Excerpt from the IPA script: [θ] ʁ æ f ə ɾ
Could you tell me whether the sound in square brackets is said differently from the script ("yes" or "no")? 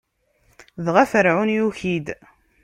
yes